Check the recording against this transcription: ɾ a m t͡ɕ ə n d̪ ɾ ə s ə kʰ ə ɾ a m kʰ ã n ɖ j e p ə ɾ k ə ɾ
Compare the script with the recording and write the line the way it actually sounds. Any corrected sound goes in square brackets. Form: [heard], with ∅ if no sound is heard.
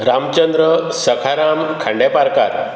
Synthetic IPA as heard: ɾ a m t͡ɕ ə n d̪ ɾ ə s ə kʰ [a] ɾ a m kʰ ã [ɳ] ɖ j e p [a] ɾ k [a] ɾ